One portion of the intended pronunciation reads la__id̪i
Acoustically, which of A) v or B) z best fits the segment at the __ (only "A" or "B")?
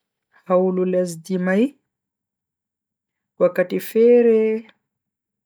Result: B